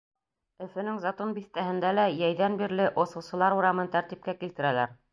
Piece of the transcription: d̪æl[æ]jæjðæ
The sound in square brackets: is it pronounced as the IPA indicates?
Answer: yes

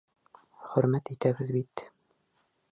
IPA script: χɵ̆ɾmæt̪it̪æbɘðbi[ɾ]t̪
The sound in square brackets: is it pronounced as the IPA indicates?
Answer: no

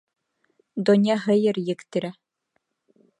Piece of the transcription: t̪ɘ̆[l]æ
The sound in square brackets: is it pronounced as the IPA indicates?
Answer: no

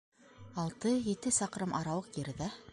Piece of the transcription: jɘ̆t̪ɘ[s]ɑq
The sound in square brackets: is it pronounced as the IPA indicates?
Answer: yes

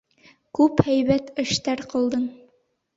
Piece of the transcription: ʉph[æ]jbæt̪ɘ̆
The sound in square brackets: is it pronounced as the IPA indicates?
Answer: yes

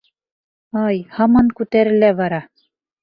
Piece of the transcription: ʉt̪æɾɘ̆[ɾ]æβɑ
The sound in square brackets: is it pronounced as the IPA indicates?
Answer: no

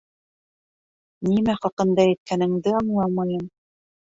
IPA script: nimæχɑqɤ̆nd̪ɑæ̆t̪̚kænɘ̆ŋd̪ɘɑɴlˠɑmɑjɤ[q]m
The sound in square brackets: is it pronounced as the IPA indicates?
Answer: no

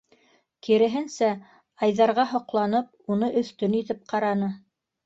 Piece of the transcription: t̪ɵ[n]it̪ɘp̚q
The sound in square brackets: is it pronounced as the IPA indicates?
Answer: yes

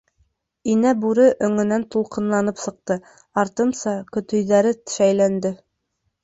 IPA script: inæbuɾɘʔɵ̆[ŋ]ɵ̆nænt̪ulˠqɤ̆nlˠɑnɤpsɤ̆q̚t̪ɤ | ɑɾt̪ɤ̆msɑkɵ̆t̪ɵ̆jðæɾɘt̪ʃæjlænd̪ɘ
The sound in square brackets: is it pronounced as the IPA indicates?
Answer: yes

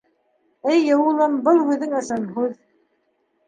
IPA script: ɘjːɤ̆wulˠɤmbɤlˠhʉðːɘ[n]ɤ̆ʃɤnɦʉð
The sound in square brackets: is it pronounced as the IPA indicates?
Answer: no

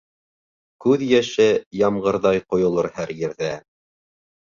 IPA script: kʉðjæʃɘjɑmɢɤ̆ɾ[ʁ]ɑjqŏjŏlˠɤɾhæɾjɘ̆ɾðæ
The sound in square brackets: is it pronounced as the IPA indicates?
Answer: no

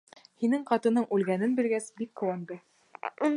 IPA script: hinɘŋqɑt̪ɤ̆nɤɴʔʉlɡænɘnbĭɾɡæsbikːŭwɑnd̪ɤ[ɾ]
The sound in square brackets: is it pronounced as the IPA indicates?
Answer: no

